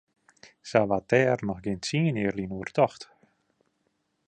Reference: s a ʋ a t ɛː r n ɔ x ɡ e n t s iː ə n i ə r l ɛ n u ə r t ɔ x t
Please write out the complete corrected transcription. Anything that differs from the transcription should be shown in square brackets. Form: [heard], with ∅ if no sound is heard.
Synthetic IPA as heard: s a ʋ a t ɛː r n ɔ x ɡ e n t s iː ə n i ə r l [i] n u ə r t ɔ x t